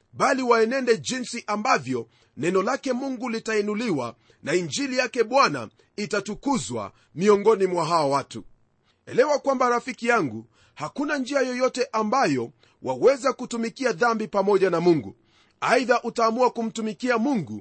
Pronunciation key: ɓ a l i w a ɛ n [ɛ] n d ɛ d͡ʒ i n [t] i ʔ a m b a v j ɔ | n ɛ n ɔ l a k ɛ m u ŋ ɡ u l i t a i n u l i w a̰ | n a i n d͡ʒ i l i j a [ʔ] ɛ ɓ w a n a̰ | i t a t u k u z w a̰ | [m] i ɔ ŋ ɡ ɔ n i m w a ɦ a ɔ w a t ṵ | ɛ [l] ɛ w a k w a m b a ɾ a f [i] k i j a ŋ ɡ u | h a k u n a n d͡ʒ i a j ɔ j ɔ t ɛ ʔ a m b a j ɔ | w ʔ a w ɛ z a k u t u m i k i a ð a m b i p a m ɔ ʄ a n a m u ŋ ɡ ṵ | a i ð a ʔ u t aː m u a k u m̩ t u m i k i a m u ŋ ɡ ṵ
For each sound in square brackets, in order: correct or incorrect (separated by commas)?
correct, incorrect, incorrect, correct, correct, correct